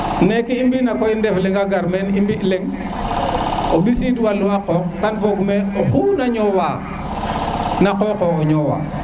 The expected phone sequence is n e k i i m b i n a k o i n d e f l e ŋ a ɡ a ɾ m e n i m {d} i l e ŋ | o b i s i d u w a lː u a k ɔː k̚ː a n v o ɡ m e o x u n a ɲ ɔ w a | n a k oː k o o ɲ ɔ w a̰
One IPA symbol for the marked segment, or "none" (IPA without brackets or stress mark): b